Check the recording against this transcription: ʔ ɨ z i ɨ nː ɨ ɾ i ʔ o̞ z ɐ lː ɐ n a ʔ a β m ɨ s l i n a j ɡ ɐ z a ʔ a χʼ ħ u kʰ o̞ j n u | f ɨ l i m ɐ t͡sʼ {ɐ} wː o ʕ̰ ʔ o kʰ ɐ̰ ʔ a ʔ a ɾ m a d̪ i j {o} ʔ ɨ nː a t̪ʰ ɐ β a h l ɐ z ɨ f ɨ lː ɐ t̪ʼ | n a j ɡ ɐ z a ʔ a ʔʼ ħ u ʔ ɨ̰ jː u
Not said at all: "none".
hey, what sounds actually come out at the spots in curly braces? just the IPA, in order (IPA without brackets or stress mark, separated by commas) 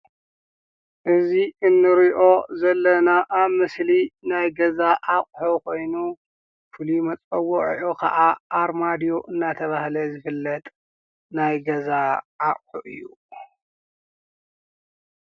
ɐ, o